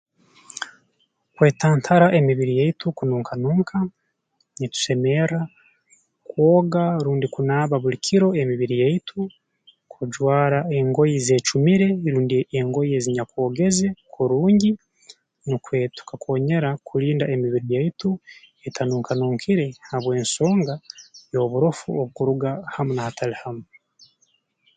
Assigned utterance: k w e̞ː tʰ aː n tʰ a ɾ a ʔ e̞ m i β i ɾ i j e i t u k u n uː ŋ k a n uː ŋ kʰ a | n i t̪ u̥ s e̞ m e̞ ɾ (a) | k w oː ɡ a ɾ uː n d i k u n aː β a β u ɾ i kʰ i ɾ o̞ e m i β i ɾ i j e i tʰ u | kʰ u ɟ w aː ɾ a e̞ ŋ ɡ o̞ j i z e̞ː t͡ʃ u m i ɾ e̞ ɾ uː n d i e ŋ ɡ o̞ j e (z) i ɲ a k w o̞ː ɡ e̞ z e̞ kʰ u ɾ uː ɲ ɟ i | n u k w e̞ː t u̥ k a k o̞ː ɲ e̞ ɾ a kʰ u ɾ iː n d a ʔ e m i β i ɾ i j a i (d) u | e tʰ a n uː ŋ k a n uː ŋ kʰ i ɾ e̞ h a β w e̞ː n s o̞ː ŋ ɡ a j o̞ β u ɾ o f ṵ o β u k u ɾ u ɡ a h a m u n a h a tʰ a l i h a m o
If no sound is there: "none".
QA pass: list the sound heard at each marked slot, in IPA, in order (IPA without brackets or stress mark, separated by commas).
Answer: a, z, t